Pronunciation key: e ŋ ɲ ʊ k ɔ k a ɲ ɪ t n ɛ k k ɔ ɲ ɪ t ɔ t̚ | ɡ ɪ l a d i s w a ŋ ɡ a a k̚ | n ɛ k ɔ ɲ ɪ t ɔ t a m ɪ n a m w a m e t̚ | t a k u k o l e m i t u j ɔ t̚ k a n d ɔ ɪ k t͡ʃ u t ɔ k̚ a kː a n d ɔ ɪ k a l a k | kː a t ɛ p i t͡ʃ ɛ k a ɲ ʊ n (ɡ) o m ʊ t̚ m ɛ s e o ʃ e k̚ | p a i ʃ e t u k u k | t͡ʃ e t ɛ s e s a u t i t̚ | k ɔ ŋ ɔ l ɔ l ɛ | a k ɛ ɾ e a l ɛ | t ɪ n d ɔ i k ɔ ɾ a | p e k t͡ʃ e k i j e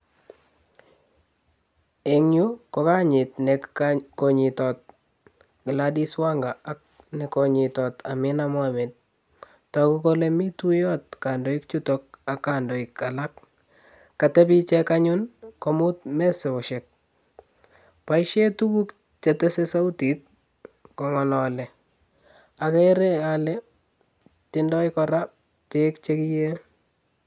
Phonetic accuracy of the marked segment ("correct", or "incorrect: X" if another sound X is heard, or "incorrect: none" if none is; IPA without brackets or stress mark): incorrect: k